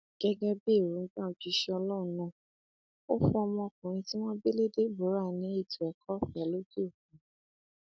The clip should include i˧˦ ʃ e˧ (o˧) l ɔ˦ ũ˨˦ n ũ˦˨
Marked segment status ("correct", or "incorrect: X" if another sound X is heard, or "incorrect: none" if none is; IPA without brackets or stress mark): incorrect: ɔ˧